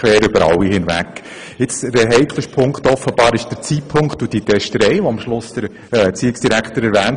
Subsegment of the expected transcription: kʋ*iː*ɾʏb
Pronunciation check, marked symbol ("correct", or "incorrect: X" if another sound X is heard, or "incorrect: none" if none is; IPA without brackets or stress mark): incorrect: ɛː